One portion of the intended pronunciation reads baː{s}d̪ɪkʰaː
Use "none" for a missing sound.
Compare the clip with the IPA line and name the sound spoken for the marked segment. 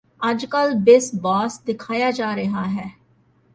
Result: s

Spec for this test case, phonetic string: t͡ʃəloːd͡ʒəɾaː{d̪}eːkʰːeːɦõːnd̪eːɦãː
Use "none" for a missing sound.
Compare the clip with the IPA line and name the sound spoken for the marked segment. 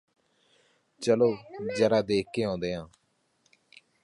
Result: d̪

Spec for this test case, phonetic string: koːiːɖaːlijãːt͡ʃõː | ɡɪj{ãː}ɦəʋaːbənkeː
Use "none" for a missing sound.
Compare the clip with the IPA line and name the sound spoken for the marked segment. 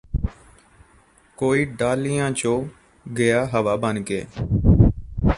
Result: aː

